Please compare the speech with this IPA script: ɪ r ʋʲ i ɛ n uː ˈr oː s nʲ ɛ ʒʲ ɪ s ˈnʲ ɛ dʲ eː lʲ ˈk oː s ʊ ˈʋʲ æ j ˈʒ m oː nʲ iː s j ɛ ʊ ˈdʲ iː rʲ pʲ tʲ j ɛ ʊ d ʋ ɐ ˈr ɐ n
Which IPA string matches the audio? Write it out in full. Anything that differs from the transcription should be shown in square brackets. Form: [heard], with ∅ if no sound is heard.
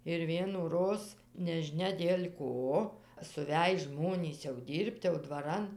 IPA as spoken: ɪ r ʋʲ i ɛ n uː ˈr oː s nʲ ɛ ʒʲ ɪ [∅] ˈnʲ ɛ dʲ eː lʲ ˈk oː s ʊ ˈʋʲ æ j ˈʒ m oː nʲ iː s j ɛ ʊ ˈdʲ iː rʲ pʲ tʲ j ɛ ʊ d ʋ ɐ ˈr ɐ n